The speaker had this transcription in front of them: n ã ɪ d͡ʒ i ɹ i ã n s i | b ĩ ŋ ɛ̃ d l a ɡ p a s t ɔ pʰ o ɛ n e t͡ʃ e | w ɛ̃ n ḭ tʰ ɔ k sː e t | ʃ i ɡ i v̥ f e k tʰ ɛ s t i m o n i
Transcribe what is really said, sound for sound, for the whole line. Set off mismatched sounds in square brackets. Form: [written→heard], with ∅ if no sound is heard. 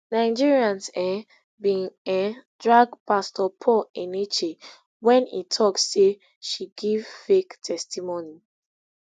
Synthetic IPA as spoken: n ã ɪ d͡ʒ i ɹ i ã n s [i→ɛ] | b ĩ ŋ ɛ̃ d [l→ɹ] a ɡ p a s t ɔ pʰ [o→ɔ] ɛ n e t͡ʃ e | w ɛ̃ n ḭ tʰ ɔ k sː e [t→∅] | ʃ i ɡ i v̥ f e k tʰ ɛ s t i m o n i